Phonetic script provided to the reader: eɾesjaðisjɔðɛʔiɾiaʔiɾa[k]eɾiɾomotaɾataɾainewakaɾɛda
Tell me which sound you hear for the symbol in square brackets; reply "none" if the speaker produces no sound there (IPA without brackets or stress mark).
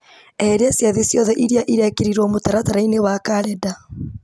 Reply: k